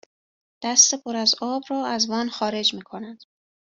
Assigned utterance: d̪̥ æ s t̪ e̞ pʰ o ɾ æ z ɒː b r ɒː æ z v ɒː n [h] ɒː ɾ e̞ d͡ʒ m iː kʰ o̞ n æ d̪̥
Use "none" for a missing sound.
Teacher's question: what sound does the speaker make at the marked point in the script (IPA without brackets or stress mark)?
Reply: x